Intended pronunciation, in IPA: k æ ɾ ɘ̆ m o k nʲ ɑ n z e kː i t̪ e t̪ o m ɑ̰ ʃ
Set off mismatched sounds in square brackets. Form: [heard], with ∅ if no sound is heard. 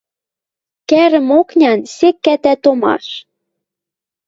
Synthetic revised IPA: k æ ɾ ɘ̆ m o k nʲ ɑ n [s] e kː [æ] t̪ [æ] t̪ o m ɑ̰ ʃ